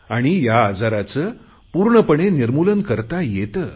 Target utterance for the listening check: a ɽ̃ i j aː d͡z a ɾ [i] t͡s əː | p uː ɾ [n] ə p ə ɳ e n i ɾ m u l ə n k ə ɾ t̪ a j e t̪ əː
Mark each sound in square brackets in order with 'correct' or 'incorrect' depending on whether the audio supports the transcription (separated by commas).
incorrect, incorrect